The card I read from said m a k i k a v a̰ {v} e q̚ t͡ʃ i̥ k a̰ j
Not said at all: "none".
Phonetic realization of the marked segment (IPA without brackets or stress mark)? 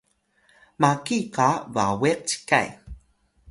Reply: w